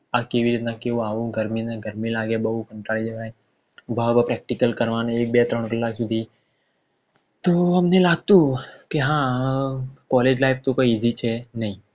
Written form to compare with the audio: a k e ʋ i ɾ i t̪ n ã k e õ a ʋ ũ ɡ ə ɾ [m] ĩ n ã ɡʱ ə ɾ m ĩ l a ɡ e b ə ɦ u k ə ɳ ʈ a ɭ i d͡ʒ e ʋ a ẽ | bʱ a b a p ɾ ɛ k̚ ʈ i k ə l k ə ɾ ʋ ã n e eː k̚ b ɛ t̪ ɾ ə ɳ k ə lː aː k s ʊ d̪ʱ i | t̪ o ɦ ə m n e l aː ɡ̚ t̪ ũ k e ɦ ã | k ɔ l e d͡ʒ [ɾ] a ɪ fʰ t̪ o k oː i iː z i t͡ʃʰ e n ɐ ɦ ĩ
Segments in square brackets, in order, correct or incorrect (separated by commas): correct, incorrect